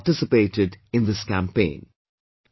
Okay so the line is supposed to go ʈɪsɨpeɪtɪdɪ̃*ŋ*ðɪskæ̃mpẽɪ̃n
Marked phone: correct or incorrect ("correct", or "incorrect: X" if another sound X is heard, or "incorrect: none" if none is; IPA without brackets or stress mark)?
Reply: incorrect: n